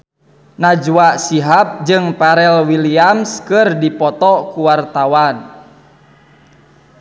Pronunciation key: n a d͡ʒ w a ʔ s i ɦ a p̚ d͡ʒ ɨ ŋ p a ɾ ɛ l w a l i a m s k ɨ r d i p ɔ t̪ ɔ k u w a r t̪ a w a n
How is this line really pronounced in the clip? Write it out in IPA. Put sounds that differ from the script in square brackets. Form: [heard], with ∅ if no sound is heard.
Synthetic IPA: n a d͡ʒ w a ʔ s i ɦ a p̚ d͡ʒ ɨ ŋ p a ɾ ɛ l w [i] l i a m s k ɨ r d i p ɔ t̪ ɔ k u w a r t̪ a w a n